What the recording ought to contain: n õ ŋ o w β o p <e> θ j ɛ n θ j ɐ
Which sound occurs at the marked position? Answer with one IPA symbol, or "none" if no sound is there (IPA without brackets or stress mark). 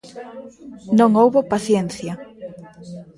a